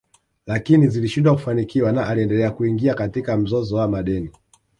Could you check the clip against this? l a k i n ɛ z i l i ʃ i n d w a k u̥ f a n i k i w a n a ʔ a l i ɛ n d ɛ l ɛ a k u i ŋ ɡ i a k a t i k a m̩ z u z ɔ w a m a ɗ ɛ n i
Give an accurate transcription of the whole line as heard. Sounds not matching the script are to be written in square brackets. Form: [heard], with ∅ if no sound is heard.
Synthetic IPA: l a k i n [i] z i l i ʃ i n d w a k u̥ f a n i k i w a n a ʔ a l i ɛ n d ɛ l ɛ a k u i ŋ ɡ i a k a t i k a m̩ z [ɔ] z ɔ w a m a ɗ ɛ n i